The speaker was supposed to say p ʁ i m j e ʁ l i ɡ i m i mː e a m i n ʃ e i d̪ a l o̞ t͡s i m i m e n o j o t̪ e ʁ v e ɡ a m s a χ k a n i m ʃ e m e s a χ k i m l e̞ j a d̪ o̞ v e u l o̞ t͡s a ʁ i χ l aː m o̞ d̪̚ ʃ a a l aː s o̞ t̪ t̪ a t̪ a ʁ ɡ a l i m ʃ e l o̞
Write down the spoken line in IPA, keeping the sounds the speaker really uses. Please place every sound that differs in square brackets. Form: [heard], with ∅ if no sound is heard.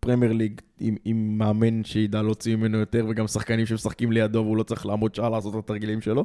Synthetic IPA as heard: p ʁ [e] m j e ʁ l i ɡ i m i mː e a m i n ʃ e i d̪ a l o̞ t͡s i m i m e n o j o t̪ e ʁ v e ɡ a m s a χ k a n i m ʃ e m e s a χ k i m l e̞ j a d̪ o̞ v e u l o̞ t͡s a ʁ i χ l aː m o̞ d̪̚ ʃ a a l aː s o̞ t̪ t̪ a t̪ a ʁ ɡ [i] l i m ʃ e l o̞